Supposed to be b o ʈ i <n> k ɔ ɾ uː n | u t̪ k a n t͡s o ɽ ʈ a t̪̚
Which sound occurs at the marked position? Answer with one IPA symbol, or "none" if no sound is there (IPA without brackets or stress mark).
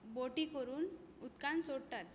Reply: none